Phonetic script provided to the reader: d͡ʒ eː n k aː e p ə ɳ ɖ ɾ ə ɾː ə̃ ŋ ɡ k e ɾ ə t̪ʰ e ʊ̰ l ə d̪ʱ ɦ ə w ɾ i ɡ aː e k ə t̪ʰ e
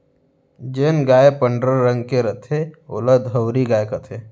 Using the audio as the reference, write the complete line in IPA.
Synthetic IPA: d͡ʒ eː n ɡ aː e p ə ɳ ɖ ɾ ə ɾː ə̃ ŋ ɡ k e ɾ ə t̪ʰ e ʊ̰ l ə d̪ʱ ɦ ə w ɾ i ɡ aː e k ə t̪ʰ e